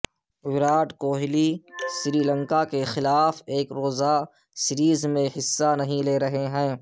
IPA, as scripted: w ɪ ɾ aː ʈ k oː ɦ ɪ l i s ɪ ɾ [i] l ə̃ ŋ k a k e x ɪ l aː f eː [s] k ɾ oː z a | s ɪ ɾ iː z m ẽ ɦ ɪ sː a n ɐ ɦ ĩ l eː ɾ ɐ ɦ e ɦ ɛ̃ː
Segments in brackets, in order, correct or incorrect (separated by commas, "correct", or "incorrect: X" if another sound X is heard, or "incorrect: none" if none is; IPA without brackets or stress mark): incorrect: iː, incorrect: none